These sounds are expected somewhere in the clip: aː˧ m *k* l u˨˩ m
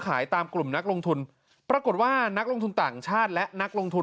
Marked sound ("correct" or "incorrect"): correct